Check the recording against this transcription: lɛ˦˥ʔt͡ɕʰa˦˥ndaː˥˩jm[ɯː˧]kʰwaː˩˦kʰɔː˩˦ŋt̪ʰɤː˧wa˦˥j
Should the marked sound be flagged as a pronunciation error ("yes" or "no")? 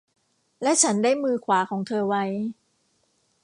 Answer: no